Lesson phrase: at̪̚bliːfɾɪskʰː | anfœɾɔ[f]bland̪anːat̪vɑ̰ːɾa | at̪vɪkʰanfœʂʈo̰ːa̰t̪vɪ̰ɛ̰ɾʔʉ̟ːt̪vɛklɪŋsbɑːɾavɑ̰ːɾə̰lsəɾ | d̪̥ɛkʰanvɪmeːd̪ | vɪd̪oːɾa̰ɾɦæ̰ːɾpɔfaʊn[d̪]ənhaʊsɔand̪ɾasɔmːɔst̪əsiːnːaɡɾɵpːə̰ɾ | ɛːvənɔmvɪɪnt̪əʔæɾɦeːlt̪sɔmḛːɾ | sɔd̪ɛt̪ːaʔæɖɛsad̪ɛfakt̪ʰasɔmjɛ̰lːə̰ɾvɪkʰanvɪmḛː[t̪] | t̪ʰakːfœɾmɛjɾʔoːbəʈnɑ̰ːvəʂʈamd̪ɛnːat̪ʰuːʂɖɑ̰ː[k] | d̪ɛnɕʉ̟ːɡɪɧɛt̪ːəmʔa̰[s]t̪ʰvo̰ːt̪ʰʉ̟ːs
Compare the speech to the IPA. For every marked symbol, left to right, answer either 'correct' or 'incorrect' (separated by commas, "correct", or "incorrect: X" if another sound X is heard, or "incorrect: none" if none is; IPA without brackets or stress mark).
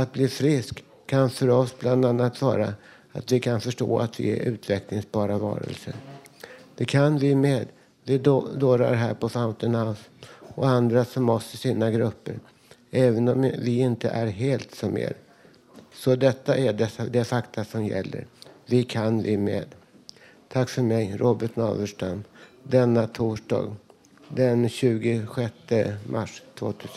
incorrect: s, incorrect: t̪, incorrect: d̪, incorrect: ɡ, incorrect: ʂ